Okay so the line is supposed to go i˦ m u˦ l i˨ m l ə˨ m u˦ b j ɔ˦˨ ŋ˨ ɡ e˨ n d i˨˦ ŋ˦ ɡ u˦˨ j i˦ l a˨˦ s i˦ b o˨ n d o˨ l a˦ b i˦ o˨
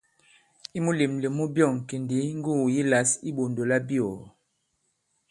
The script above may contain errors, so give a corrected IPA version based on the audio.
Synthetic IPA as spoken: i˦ m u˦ l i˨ m l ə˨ m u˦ b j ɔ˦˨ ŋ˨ k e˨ n d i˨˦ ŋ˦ ɡ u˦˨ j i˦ l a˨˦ s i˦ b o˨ n d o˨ l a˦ b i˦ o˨